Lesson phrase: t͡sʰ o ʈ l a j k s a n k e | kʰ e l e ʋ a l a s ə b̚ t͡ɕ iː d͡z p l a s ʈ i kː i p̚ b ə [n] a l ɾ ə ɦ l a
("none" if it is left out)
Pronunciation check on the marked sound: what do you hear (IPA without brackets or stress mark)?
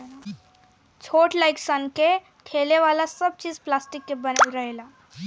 n